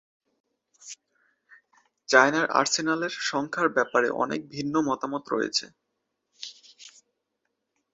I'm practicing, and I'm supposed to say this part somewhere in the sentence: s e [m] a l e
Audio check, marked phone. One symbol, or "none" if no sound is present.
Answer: n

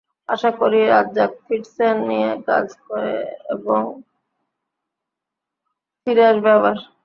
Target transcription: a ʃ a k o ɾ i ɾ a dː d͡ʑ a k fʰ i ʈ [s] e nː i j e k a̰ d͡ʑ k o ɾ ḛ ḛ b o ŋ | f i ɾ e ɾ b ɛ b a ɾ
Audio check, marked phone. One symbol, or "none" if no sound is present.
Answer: s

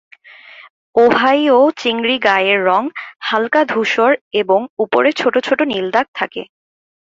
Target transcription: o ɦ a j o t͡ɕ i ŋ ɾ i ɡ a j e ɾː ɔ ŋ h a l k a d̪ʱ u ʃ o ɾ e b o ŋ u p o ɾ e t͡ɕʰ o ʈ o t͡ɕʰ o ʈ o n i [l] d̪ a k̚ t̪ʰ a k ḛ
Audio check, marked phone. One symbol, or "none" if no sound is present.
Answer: l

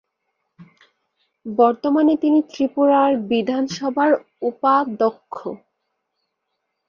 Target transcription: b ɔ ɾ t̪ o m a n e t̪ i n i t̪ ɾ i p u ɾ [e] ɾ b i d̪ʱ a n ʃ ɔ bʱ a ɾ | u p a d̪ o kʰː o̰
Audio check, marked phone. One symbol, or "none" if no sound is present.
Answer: a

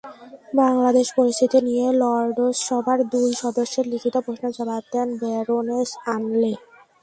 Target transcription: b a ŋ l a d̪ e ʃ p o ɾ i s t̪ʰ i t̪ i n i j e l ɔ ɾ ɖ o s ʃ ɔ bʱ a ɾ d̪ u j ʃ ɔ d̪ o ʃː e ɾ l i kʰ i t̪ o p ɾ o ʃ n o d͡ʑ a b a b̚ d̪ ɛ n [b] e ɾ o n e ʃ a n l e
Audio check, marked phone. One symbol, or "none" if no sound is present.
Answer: b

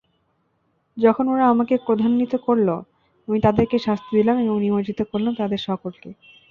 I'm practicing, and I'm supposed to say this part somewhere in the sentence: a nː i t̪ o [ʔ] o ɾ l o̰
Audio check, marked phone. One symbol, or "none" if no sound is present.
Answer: k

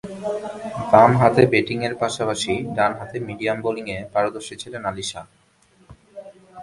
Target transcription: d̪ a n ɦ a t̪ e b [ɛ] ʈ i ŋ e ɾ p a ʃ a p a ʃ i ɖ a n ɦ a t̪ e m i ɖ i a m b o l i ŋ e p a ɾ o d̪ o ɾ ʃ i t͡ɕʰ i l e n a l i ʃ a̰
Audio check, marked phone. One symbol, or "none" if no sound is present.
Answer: e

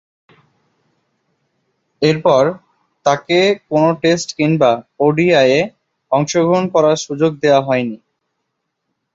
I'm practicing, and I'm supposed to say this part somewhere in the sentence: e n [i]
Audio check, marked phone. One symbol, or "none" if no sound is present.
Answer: i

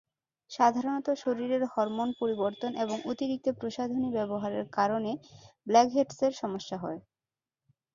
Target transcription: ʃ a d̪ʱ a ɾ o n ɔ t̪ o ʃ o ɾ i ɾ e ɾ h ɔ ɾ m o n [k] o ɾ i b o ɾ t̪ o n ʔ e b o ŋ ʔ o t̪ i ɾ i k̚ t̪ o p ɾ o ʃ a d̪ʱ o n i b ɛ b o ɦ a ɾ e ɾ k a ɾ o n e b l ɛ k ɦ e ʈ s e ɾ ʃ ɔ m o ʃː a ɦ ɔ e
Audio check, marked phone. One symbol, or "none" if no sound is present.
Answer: p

